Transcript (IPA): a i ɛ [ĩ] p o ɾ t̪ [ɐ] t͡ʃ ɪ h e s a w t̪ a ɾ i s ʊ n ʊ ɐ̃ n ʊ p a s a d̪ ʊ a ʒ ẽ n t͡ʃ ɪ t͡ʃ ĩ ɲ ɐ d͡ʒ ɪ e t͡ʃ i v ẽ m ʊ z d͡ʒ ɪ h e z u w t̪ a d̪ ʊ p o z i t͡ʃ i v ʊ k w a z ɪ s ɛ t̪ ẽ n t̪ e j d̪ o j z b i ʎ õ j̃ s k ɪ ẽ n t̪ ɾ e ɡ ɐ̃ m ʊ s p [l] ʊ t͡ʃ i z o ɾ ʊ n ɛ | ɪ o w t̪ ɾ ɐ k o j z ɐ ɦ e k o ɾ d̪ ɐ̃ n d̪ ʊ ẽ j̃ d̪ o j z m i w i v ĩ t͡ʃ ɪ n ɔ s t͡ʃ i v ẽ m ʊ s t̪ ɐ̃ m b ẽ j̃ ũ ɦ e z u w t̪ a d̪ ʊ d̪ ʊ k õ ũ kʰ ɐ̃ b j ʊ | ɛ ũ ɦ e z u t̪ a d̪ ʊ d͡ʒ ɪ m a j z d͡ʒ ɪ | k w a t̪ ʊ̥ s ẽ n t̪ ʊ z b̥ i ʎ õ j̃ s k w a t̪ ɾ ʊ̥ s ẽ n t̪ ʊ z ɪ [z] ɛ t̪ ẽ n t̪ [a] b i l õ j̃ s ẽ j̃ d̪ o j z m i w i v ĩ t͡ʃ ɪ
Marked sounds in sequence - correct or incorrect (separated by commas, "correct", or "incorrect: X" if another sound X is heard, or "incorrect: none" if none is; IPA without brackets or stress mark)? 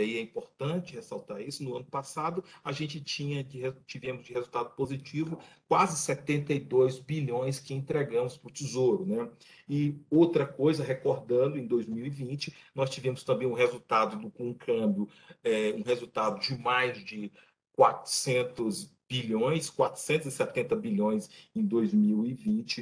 correct, incorrect: ɐ̃, incorrect: ɾ, incorrect: s, incorrect: ɐ